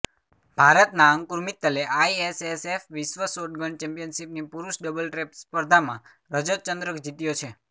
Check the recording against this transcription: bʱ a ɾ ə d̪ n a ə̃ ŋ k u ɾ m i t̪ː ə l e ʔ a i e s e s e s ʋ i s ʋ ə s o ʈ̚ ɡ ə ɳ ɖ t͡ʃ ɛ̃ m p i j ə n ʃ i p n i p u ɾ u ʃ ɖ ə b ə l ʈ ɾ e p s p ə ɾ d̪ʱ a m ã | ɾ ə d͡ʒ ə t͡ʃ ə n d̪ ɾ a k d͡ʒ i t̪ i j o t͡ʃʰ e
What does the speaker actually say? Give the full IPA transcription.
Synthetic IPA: bʱ a ɾ ə t̪ n a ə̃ ŋ k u ɾ m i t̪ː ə l e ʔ a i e s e s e f ʋ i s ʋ ə s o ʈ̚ ɡ ə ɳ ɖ t͡ʃ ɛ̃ m p i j ə n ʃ i p n i p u ɾ u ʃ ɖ ə b ə l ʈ ɾ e p s p ə ɾ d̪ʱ a m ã | ɾ ə d͡ʒ ə t͡ʃ ə n d̪ ɾ ə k d͡ʒ i t̪ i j o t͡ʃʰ e